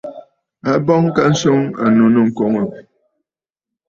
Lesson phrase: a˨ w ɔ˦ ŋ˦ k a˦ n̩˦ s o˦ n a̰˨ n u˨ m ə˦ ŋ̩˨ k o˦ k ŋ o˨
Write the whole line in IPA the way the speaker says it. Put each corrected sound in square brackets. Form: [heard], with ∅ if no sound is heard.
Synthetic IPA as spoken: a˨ [b] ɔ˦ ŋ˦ k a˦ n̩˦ s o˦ [ŋ] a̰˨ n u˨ [n] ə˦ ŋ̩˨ k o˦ [∅] ŋ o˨